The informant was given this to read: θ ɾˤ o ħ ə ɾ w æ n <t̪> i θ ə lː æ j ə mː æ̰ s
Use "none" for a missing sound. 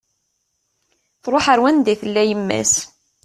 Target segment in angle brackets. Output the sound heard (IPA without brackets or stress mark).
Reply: d̪